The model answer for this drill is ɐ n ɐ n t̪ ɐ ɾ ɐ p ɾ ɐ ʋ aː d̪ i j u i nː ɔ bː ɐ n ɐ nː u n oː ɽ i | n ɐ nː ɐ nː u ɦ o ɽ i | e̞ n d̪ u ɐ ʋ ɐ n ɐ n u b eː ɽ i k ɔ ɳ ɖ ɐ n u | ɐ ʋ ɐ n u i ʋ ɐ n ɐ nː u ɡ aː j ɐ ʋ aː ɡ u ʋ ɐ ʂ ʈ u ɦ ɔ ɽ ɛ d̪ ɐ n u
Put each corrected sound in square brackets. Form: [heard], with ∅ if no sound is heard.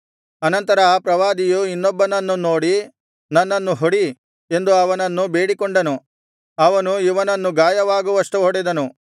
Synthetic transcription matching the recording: ɐ n ɐ n t̪ ɐ ɾ ɐ p ɾ ɐ ʋ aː d̪ i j u i nː ɔ bː ɐ n ɐ nː u n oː ɽ i | n ɐ nː ɐ nː u ɦ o ɽ i | e̞ n d̪ u ɐ ʋ ɐ n ɐ [nː] u b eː ɽ i k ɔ ɳ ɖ ɐ n u | ɐ ʋ ɐ n u i ʋ ɐ n ɐ nː u ɡ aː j ɐ ʋ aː ɡ u ʋ ɐ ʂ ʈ u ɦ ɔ ɽ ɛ d̪ ɐ n u